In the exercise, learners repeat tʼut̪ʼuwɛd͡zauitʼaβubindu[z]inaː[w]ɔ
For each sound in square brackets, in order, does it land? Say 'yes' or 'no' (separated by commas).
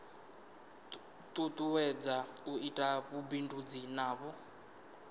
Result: no, no